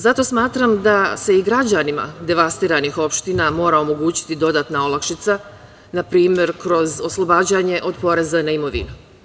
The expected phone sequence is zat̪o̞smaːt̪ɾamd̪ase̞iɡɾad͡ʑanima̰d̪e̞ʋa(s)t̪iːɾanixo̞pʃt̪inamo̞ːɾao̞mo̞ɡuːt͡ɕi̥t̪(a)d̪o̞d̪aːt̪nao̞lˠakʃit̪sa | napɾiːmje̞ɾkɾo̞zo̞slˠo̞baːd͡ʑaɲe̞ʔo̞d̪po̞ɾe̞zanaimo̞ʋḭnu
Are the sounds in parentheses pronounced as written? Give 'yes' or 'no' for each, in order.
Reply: yes, no

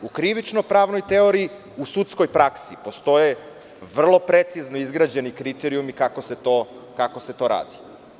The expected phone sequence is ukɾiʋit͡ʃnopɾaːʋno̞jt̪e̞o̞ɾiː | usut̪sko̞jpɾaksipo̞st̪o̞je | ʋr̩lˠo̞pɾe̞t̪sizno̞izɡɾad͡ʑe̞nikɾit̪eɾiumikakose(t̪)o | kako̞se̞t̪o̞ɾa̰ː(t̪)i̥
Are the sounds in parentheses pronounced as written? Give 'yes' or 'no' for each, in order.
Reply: yes, no

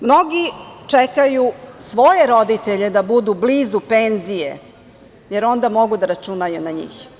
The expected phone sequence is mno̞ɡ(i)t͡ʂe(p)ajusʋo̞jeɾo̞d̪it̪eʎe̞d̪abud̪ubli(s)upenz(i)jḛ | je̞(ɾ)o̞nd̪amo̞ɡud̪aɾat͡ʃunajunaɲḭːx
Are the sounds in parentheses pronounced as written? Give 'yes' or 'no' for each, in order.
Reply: yes, no, no, yes, yes

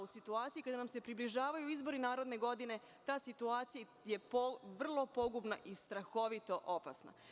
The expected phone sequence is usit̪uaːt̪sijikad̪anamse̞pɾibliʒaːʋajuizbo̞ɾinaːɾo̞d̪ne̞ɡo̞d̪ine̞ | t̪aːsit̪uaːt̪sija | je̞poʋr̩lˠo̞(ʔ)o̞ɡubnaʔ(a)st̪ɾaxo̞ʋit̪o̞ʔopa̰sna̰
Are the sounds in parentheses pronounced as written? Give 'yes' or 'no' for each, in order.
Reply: no, no

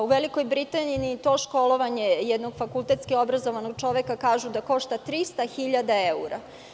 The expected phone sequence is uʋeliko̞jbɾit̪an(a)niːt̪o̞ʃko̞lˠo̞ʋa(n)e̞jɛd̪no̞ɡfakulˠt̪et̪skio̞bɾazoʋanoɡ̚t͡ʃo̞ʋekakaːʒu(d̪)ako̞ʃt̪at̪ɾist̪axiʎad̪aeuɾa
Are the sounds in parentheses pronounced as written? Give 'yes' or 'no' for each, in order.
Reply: no, no, yes

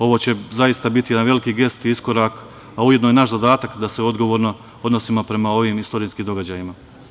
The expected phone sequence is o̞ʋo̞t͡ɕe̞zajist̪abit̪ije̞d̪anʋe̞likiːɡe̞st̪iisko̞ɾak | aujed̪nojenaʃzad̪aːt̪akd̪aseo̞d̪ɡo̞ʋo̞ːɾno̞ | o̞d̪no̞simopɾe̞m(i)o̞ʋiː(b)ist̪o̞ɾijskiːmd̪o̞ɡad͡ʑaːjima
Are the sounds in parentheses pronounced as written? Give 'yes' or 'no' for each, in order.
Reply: no, no

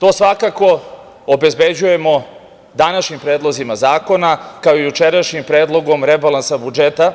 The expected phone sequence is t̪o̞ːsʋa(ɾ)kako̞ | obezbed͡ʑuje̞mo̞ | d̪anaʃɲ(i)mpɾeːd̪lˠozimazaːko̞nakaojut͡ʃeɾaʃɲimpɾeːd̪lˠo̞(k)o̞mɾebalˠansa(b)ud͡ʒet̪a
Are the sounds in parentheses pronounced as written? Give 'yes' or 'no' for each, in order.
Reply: no, yes, no, yes

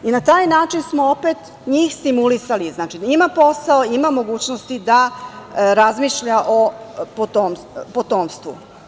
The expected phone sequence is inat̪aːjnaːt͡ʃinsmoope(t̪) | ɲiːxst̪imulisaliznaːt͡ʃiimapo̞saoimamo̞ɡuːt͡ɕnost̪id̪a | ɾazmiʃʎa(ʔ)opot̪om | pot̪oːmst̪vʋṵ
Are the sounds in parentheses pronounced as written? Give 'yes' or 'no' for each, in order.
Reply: yes, yes

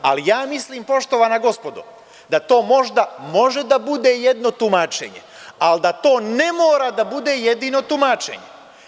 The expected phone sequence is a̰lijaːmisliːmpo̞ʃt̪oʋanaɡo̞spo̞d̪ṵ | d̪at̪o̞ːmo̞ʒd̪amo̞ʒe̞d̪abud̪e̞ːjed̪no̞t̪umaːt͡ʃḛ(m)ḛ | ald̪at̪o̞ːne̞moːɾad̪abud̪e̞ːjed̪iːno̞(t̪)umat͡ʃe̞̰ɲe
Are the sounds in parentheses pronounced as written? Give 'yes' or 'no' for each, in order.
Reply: no, yes

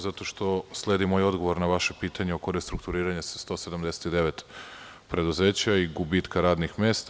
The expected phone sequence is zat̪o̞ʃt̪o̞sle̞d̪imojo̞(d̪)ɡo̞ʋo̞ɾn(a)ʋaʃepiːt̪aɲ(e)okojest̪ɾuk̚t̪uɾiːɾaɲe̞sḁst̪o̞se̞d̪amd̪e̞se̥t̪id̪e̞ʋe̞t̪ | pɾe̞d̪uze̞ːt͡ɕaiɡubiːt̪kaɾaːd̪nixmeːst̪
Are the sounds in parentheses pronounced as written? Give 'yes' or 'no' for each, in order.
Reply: yes, yes, yes

